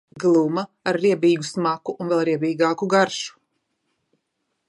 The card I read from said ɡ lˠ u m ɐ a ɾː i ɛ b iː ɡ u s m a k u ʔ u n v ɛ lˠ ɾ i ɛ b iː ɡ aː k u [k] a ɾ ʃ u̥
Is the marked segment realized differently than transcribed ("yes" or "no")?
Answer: yes